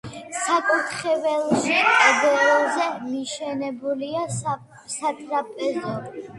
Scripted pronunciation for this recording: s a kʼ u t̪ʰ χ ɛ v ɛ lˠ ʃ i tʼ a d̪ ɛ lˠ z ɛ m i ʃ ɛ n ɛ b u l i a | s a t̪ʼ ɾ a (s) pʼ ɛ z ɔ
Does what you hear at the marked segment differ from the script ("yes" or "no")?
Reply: yes